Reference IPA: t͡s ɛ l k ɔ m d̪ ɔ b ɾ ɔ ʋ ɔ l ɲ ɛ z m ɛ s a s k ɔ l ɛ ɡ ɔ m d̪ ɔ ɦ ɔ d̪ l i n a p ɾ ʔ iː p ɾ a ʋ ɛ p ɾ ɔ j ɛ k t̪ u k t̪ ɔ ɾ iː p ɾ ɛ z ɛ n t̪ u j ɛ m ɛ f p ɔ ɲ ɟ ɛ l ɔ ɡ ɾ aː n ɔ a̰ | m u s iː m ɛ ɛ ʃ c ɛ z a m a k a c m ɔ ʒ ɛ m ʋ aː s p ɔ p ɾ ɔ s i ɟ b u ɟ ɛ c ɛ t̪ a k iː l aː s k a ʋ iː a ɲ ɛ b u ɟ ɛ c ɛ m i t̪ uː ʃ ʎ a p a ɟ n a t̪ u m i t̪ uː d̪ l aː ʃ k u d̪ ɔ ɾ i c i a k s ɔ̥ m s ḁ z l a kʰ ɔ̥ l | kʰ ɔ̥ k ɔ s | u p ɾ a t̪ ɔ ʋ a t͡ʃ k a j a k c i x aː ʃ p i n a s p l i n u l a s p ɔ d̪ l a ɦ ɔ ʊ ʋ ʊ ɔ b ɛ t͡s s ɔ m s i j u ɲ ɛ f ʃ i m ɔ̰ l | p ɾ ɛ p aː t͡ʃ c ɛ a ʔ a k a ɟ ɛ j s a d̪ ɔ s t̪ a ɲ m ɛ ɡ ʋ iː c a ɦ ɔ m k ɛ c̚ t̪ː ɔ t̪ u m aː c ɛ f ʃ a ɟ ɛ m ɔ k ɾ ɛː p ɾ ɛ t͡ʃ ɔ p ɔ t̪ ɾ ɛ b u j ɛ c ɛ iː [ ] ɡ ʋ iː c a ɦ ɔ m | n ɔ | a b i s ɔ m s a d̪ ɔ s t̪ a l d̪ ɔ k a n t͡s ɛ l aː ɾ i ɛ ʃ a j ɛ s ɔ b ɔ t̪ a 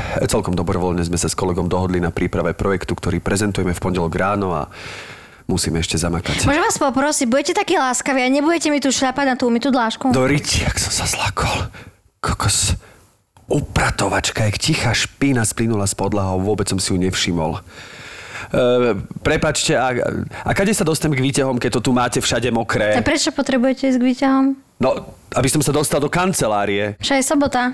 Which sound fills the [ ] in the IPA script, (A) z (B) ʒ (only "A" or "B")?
A